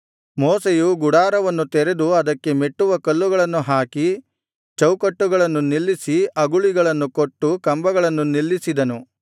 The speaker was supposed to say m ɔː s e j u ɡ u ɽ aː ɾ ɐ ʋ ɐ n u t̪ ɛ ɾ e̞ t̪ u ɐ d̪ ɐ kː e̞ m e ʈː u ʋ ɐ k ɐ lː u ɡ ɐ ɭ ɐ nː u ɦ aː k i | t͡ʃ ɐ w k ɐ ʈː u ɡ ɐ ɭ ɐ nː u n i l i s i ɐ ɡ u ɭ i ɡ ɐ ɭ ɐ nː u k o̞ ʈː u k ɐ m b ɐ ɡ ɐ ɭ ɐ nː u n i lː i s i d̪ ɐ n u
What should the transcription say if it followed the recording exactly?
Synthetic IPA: m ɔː s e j u ɡ u ɽ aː ɾ ɐ ʋ ɐ nː u t̪ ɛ ɾ e̞ d̪ u ɐ d̪ ɐ kː e̞ m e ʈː u ʋ ɐ k ɐ lː u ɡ ɐ ɭ ɐ nː u ɦ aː k i | t͡ʃ ɐ w k ɐ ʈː u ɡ ɐ ɭ ɐ nː u n i lː i s i ɐ ɡ u ɭ i ɡ ɐ ɭ ɐ nː u k o̞ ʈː u k ɐ m b ɐ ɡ ɐ ɭ ɐ nː u n i lː i s i d̪ ɐ n u

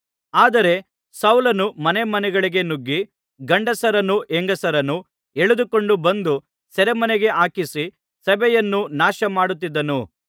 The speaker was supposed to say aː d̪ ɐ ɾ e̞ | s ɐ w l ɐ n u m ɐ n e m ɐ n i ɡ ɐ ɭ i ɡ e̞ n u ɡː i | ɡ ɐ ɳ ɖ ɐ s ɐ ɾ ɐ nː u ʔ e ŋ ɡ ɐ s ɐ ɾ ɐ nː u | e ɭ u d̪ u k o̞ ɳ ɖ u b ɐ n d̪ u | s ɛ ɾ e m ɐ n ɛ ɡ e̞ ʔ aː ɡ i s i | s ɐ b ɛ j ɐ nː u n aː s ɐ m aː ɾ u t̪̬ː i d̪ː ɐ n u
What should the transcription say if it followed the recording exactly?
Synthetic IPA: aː d̪ ɐ ɾ e̞ | s ɐ w l ɐ n u m ɐ n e m ɐ n ɛ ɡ ɐ ɭ i ɡ e̞ n u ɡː i | ɡ ɐ ɳ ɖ ɐ s ɐ ɾ ɐ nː u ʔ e ŋ ɡ ɐ s ɐ ɾ ɐ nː u | e ɭ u d̪ u k o̞ ɳ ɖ u b ɐ n d̪ u | s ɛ ɾ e m ɐ n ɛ ɡ e̞ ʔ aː k i s i | s ɐ b ɛ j ɐ nː u n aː ʃ ɐ m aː ɽ u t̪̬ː i d̪ː ɐ n u

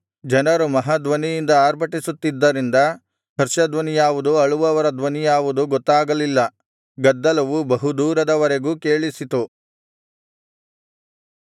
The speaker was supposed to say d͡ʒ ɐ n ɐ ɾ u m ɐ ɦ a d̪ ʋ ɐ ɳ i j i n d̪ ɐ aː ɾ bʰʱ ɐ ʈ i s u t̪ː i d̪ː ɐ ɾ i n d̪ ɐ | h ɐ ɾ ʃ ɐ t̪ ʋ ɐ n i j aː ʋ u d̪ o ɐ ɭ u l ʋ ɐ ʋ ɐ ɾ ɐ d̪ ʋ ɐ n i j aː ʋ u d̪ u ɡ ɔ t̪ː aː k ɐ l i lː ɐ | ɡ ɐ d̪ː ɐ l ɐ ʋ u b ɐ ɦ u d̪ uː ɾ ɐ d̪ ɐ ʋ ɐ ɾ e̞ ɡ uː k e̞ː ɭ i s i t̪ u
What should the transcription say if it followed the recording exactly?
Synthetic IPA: d͡ʒ ɐ n ɐ ɾ u m ɐ ɦ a d̪ ʋ ɐ n i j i n d̪ ɐ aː ɾ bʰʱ ɐ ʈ i s u t̪ː i d̪ː ɐ ɾ i n d̪ ɐ | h ɐ ɾ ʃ ɐ d̪ ʋ ɐ n i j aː ʋ u d̪ u ɐ ɭ u ʋ ɐ ʋ ɐ ɾ ɐ d̪ ʋ ɐ n i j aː ʋ u d̪ u ɡ ɔ t̪ː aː ɡ ɐ l i lː ɐ | ɡ ɐ d̪ː ɐ l ɐ ʋ u b ɐ ɦ u d̪ uː ɾ ɐ d̪ ɐ ʋ ɐ ɾ e̞ ɡ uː k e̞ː ɭ i s i t̪ u

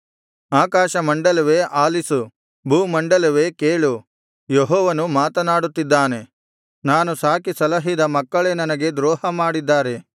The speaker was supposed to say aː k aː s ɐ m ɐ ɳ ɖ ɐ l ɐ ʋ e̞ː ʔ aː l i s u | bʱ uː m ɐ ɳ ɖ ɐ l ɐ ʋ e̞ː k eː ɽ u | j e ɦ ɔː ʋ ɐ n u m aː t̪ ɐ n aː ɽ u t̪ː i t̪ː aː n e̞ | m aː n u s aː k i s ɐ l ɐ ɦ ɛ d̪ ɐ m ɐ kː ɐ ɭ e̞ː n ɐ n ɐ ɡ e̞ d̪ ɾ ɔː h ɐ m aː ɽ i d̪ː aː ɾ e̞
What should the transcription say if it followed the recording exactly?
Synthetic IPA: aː k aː ʃ ɐ m ɐ ɳ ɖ ɐ l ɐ ʋ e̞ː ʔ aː l i s u | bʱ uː m ɐ ɳ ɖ ɐ l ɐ ʋ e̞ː k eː ɭ u | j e ɦ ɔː ʋ ɐ n u m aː t̪ ɐ n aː ɽ u t̪ː i d̪ː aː n e̞ | n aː n u s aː k i s ɐ l ɐ ɦ i d̪ ɐ m ɐ kː ɐ ɭ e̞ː n ɐ n ɐ ɡ e̞ d̪ ɾ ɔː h ɐ m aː ɽ i d̪ː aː ɾ e̞

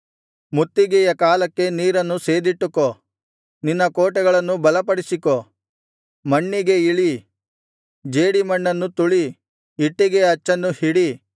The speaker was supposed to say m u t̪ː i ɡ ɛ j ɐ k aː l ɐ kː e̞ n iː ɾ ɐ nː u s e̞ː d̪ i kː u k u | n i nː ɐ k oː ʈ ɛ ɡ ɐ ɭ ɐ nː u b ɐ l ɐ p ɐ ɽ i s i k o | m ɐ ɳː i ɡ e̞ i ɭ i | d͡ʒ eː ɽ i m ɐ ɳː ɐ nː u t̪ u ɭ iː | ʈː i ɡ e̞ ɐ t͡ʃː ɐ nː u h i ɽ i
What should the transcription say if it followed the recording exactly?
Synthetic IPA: m u t̪ː i ɡ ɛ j ɐ k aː l ɐ kː e̞ n iː ɾ ɐ nː u s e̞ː d̪ i ʈː u k o | n i nː ɐ k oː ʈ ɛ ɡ ɐ ɭ ɐ nː u b ɐ l ɐ p ɐ ɽ i s i k o | m ɐ ɳː i ɡ e̞ i ɭ i | d͡ʒ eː ɽ i m ɐ ɳː ɐ nː u t̪ u ɭ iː | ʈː i ɡ e̞ ɐ t͡ʃː ɐ nː u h i ɽ i

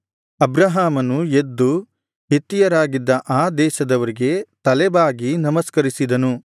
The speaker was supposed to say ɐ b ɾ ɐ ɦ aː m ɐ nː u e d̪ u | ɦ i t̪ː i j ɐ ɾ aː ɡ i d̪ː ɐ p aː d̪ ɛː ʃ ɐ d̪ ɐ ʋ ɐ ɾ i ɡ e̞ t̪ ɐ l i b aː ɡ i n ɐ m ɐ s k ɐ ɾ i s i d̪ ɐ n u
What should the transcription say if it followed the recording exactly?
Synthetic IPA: ɐ b ɾ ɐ ɦ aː m ɐ n u e d̪ː u | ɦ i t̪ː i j ɐ ɾ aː ɡ i d̪ː ɐ ʔ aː d̪ ɛː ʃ ɐ d̪ ɐ ʋ ɐ ɾ i ɡ e̞ t̪ ɐ l ɛ b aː ɡ i n ɐ m ɐ s k ɐ ɾ i s i d̪ ɐ n u

